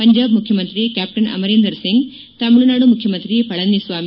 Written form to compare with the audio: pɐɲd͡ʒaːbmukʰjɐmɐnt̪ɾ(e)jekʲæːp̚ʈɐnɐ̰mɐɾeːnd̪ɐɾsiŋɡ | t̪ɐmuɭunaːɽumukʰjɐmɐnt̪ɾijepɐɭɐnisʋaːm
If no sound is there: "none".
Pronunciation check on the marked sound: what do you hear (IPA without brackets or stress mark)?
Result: i